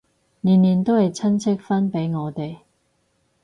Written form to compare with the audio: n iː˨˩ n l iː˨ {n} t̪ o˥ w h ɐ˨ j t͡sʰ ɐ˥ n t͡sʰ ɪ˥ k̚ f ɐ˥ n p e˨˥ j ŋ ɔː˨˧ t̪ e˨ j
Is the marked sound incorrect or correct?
correct